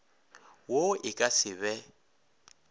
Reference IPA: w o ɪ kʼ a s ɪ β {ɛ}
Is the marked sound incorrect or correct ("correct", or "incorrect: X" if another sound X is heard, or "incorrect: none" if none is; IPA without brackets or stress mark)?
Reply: correct